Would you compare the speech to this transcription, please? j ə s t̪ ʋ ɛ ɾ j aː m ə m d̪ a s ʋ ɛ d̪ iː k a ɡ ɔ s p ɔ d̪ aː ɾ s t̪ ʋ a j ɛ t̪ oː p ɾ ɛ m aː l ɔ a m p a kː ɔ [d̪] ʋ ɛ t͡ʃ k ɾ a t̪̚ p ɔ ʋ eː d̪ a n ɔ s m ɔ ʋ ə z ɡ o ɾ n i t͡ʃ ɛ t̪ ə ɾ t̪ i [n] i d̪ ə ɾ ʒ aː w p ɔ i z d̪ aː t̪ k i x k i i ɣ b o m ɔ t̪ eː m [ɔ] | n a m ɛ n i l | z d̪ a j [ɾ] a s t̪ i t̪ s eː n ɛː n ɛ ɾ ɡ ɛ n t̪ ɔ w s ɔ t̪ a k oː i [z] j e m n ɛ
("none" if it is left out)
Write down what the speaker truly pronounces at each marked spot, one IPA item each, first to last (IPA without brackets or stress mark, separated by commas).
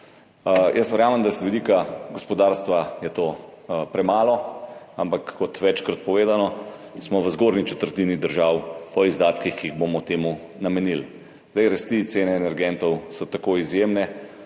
t̪, n, u, ɾ, z